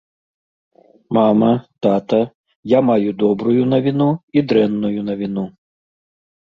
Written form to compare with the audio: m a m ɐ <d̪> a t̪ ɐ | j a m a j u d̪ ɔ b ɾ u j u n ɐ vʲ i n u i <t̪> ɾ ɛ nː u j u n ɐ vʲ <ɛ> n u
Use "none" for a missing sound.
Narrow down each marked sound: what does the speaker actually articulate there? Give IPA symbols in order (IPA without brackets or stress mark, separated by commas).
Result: t̪, d̪, i